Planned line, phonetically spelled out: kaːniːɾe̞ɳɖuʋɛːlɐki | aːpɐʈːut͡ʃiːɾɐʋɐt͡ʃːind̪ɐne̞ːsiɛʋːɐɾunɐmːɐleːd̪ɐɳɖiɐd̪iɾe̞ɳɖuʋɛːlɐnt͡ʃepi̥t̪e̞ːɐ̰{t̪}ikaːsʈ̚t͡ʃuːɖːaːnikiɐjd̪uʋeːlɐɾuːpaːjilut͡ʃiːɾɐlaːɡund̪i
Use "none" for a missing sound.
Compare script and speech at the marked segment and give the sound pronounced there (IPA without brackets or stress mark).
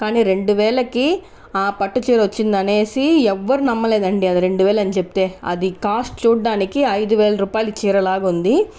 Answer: d̪